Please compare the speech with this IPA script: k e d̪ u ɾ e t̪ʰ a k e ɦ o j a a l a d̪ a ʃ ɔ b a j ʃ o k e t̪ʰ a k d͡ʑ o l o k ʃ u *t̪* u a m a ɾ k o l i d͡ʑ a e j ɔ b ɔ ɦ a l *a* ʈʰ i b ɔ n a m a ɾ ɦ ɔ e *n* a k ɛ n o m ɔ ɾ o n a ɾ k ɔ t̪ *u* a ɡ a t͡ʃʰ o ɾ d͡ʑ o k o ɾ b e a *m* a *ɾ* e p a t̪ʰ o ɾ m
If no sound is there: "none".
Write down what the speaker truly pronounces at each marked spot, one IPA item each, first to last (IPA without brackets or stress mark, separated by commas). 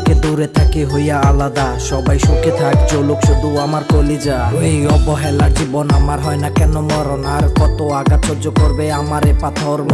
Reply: d̪, a, n, o, m, ɾ